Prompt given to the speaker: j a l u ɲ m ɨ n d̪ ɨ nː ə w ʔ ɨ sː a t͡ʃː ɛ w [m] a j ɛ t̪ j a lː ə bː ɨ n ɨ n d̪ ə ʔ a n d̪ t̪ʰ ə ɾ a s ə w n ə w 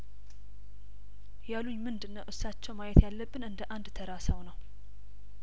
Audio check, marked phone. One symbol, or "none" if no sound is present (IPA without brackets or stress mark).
m